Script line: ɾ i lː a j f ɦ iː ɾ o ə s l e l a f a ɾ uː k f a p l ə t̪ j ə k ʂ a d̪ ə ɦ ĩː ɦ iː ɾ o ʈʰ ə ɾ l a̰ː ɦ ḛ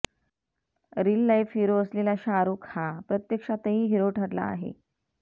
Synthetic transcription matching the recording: ɾ i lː a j f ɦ i ɾ o ə s l e l a ɕ a ɾ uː k h a p ɾ ə t̪ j ə k ʂ a t̪ ə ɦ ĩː ɦ i ɾ o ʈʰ ə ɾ l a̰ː ɦ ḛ

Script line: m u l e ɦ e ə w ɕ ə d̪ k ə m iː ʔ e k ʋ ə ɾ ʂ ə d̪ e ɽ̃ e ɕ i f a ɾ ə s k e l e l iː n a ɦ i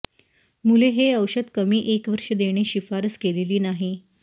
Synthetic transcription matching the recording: m u l e ɦ e ə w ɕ ə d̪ k ə m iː ʔ e k ʋ ə ɾ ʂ ə d̪ e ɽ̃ e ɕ i f a ɾ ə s k e l i l iː n a ɦ i

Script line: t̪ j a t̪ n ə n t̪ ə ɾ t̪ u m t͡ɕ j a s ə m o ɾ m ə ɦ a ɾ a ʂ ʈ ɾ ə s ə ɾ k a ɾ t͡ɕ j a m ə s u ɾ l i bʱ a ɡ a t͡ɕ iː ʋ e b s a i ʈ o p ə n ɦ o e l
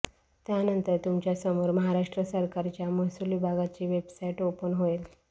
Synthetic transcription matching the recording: t̪ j a n ə n t̪ ə ɾ t̪ u m t͡ɕ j a s ə m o ɾ m ə ɦ a ɾ a ʂ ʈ ɾ ə s ə ɾ k a ɾ t͡ɕ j a m ə s u l i bʱ a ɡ a t͡ɕ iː ʋ e b s a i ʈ o p ə n ɦ o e l

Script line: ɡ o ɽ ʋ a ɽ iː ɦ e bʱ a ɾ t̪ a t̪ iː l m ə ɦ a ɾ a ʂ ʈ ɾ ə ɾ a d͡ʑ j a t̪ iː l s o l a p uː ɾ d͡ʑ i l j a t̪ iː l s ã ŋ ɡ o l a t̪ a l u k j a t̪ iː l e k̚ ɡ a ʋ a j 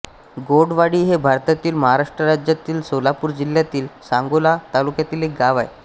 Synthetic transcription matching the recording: ɡ o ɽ ʋ a ɽ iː ɦ e bʱ a ɾ t̪ a t̪ iː l m ə ɦ a ɾ a ʂ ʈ ɾ ə ɾ a d͡ʑ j a t̪ iː l s o l a p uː ɾ d͡ʑ i l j a t̪ iː l s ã ŋ ɡ o l a t̪ a l u k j a t̪ iː l e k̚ ɡ a ʋ a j

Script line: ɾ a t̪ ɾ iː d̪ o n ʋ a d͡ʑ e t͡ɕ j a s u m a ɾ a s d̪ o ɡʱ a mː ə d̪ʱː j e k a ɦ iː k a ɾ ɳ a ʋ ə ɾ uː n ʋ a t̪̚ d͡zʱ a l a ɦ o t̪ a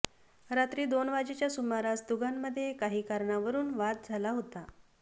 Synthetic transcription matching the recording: ɾ a t̪ ɾ iː d̪ o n ʋ a d͡ʑ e t͡ɕ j a s u m a ɾ a s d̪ u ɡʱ a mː ə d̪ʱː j e k a ɦ iː k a ɾ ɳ a ʋ ə ɾ uː n ʋ a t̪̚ d͡zʱ a l a ɦ o t̪ a

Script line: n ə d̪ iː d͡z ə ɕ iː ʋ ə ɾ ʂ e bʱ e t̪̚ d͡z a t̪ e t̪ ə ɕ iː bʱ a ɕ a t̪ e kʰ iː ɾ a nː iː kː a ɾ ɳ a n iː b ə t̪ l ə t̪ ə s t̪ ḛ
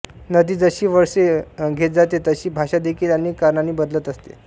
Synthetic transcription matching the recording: n ə d̪ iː d͡z ə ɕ iː ʋ ə ɾ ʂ e ɡʱ e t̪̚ d͡z a t̪ e t̪ ə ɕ iː bʱ a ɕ a d̪ e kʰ iː l a n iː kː a ɾ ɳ a n iː b ə d̪ l ə t̪ ə s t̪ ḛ

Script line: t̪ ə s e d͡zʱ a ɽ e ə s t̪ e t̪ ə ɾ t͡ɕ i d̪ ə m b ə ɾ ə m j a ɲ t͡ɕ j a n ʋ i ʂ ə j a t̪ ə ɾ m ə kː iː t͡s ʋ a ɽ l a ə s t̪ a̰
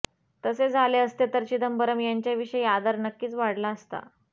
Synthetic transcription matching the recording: t̪ ə s e d͡zʱ a l e ə s t̪ e t̪ ə ɾ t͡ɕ i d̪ ə m b ə ɾ ə m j a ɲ t͡ɕ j a ʋ i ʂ ə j a d̪ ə ɾ n ə kː iː t͡s ʋ a ɽ l a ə s t̪ a̰

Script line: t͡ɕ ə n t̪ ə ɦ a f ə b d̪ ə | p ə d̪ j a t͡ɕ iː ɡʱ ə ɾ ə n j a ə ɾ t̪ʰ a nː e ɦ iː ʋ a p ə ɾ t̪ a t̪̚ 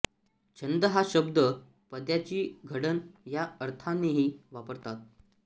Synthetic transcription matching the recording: t͡ɕ ə n d̪ ə ɦ a ɕ ə b d̪ ə | p ə d̪ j a t͡ɕ iː ɡʱ ə ɽ ə n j a ə ɾ t̪ʰ a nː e ɦ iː ʋ a p ə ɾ t̪ a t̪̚

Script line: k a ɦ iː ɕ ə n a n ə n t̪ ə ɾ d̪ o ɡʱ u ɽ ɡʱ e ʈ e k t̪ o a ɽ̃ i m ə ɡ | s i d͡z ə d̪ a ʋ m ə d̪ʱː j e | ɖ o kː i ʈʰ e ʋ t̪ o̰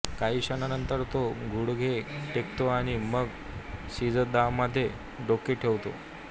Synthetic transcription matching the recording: k a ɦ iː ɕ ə n a n ə n t̪ ə ɾ t̪ o ɡʱ u ɽ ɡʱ e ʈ e k t̪ o a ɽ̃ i m ə ɡ | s i d͡z ə d̪ a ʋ m ə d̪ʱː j e | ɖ o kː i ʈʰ e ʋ t̪ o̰

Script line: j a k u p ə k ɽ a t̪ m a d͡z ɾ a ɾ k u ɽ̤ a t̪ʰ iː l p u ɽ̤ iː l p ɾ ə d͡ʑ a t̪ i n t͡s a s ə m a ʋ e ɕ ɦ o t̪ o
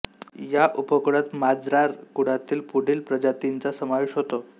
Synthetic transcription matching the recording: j a ʔ u p ə k ɽ a t̪ m a d͡z ɾ a ɾ k u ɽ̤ a t̪ iː l p u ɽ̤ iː l p ɾ ə d͡ʑ a t̪ i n t͡s a s ə m a ʋ e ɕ ɦ o t̪ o

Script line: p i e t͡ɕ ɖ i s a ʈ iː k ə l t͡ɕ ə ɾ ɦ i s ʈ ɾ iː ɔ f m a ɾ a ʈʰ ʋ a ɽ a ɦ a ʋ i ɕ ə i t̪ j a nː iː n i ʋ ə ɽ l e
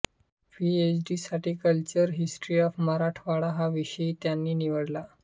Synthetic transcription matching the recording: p i e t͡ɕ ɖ i s a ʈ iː k ə l t͡ɕ ə ɾ ɦ i s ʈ ɾ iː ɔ f m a ɾ a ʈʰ ʋ a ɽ a ɦ a ʋ i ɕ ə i t̪ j a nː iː n i ʋ ə ɽ l a

